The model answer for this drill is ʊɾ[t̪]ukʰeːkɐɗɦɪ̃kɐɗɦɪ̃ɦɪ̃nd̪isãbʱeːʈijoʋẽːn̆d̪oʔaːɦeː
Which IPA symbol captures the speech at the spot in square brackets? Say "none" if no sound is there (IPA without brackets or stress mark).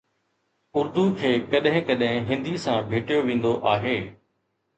d̪